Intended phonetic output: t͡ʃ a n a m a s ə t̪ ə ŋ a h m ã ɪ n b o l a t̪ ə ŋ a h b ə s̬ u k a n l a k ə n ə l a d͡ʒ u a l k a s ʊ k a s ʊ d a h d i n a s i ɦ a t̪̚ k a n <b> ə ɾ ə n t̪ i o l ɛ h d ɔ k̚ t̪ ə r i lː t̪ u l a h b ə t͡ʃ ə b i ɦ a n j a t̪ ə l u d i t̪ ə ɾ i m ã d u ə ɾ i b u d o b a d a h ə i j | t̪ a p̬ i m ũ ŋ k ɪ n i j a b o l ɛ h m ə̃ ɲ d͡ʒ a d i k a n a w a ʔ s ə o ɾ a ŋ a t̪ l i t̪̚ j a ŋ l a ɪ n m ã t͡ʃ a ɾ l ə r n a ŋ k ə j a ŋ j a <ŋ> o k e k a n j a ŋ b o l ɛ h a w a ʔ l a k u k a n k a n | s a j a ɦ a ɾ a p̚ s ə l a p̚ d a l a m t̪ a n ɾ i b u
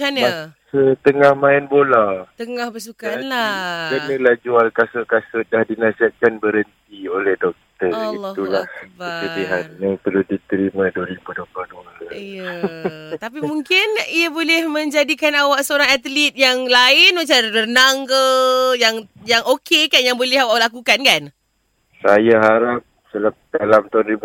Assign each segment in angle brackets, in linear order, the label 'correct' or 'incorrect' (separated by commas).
correct, correct